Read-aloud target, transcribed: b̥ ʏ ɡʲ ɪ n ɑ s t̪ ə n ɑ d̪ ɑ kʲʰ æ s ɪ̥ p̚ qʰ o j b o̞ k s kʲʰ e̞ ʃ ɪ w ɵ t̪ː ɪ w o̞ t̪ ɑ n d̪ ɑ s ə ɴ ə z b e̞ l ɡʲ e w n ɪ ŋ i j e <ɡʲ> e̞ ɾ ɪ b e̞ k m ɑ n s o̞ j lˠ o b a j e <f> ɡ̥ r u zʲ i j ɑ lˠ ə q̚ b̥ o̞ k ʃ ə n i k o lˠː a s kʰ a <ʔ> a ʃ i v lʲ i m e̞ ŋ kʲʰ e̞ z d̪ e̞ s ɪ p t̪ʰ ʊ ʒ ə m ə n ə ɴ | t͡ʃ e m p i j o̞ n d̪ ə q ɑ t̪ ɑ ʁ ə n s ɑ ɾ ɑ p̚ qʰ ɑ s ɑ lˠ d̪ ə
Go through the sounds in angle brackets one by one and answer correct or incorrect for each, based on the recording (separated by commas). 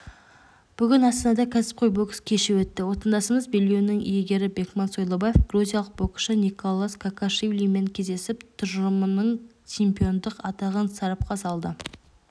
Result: correct, correct, incorrect